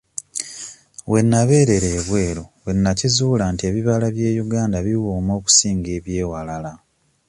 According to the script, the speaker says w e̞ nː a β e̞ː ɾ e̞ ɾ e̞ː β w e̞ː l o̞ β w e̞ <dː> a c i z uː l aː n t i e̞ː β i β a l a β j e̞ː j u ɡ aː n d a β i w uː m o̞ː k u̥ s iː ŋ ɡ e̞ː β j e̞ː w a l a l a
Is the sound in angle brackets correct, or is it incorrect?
incorrect